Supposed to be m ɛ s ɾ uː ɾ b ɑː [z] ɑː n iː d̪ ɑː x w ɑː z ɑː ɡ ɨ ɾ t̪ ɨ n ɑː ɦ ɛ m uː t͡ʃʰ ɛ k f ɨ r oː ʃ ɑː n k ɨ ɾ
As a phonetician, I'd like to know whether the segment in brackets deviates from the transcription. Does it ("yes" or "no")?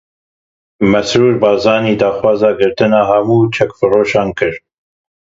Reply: no